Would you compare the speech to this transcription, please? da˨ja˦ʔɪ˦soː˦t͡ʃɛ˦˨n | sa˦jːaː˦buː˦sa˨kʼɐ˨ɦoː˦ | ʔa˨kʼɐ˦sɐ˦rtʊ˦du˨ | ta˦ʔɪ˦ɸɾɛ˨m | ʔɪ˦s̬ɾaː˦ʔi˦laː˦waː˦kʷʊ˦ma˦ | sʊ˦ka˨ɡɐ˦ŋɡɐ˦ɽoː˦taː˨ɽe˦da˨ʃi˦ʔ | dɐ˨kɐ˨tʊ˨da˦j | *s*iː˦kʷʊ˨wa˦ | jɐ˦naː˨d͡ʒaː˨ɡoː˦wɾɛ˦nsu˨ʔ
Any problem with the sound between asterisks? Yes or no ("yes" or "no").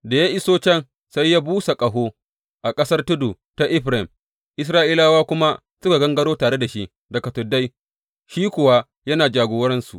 yes